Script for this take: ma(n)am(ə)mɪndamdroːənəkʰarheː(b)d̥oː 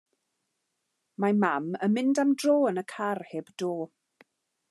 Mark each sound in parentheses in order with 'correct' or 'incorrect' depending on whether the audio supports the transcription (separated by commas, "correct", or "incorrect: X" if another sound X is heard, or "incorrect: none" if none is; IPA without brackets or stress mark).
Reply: incorrect: m, correct, correct